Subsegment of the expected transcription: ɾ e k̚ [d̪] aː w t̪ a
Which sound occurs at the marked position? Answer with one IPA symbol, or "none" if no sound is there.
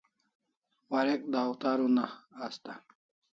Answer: d̪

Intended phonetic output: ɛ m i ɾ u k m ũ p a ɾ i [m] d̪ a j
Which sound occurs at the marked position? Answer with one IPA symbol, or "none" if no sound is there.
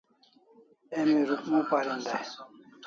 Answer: n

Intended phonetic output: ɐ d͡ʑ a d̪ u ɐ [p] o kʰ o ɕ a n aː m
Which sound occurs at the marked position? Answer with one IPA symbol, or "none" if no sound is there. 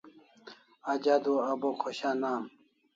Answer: b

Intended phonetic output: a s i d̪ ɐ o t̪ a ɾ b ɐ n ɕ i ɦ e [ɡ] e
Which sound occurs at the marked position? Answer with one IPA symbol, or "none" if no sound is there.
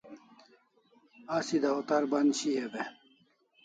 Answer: b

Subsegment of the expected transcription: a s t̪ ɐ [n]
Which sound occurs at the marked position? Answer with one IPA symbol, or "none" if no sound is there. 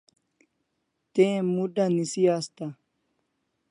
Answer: none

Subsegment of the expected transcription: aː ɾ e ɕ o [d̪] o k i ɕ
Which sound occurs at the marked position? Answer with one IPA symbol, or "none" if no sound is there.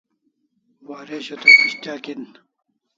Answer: t̪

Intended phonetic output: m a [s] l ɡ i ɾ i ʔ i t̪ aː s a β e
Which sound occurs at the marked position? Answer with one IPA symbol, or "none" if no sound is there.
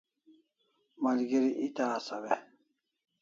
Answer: none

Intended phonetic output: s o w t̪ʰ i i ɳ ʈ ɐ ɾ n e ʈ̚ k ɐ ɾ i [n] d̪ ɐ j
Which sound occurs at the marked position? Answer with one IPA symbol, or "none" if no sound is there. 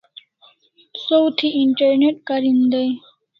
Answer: n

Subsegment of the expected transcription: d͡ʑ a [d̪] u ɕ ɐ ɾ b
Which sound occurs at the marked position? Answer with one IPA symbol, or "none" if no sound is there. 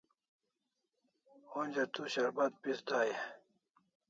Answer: t̪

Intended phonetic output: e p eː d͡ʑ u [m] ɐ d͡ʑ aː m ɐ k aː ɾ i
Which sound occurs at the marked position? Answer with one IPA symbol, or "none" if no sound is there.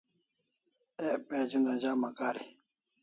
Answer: n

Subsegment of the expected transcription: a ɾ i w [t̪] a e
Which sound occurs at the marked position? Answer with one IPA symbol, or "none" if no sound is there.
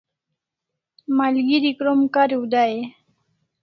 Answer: d̪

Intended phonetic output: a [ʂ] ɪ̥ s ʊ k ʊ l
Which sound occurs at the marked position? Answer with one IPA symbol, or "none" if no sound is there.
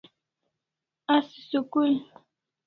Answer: s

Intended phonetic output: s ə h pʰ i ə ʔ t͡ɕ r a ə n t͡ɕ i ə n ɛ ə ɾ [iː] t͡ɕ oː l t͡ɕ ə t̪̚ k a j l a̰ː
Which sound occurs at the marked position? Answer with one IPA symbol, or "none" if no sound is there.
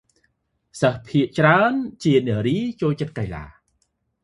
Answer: iː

